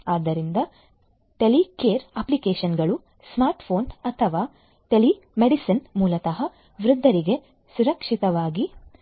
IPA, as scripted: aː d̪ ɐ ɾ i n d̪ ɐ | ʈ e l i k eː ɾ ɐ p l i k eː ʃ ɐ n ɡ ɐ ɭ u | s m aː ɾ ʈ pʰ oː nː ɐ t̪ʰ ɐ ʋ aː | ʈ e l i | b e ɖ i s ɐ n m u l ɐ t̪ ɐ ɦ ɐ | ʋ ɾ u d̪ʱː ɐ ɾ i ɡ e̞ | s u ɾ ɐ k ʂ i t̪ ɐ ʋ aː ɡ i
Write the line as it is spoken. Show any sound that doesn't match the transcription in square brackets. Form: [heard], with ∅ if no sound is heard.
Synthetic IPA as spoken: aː d̪ ɐ ɾ i n d̪ ɐ | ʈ e l i k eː ɾ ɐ p l i k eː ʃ ɐ n ɡ ɐ ɭ u | s m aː ɾ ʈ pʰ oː [n] ɐ t̪ʰ ɐ ʋ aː | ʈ e l i | [m] e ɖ i s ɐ n m [uː] l ɐ t̪ ɐ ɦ ɐ | ʋ ɾ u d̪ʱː ɐ ɾ i ɡ e̞ | s u ɾ ɐ k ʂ i t̪ ɐ ʋ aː ɡ i